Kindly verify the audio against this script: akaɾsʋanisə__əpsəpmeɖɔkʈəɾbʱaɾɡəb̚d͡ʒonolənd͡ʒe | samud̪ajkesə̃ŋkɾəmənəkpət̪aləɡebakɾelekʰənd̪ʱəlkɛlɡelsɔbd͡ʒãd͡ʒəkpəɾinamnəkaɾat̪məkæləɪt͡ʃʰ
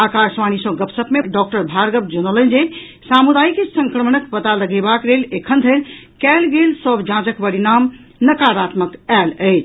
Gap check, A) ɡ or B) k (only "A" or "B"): A